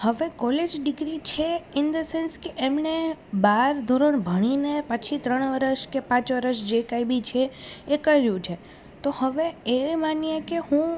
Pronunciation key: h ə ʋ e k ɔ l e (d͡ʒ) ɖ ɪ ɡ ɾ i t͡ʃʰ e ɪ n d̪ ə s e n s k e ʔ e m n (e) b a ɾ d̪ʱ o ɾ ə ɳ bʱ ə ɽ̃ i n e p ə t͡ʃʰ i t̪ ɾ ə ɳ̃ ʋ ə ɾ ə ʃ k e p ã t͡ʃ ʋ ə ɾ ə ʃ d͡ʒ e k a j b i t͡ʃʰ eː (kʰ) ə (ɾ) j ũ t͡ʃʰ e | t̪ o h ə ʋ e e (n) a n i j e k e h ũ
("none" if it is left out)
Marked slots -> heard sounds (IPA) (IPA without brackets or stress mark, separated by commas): d͡ʒ, e, k, ɾ, m